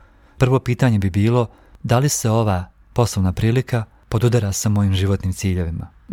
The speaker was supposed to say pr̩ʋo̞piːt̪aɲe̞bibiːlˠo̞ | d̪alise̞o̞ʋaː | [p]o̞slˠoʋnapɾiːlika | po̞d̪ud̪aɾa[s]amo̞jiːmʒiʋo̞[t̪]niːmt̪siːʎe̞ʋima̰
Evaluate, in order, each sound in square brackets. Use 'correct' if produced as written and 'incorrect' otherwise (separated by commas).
correct, correct, correct